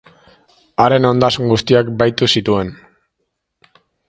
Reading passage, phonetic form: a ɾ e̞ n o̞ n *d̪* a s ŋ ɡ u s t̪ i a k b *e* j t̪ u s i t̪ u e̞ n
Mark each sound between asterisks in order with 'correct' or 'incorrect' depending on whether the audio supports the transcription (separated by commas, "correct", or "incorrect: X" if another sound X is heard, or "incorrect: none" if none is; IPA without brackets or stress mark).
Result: correct, incorrect: a